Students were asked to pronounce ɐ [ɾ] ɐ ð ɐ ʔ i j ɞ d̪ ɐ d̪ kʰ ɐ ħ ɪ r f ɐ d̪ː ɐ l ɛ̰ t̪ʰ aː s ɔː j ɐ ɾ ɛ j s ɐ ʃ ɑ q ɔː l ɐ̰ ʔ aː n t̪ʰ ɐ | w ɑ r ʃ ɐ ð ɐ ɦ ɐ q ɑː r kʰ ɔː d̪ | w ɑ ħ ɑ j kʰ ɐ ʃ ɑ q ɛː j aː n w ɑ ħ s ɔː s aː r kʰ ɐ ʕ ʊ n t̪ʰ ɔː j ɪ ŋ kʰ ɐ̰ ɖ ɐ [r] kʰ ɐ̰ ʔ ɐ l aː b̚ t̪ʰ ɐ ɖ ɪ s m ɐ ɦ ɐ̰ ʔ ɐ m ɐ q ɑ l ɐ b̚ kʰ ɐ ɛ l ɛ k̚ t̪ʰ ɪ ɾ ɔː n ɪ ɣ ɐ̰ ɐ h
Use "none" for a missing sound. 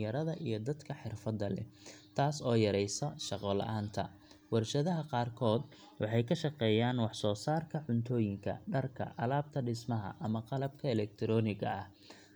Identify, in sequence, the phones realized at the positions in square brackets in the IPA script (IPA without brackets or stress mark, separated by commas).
ɾ, r